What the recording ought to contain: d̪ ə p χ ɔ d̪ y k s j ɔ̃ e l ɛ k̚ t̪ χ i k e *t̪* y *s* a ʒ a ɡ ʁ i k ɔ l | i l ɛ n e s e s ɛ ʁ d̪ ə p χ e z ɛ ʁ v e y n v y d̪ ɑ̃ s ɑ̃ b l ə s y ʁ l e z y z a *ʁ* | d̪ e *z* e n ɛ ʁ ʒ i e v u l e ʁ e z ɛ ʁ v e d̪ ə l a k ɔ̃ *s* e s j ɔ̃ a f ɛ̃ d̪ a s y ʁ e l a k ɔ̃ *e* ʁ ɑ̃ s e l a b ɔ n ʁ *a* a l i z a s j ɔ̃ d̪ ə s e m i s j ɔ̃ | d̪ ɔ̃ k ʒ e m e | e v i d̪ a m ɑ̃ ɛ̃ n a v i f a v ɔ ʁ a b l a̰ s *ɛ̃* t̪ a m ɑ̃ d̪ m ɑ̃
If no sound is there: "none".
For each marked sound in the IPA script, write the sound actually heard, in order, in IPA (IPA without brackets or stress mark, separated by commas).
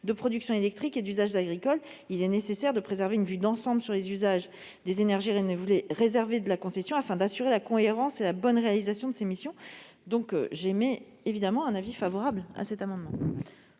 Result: d̪, z, ʒ, z, s, e, e, ɛ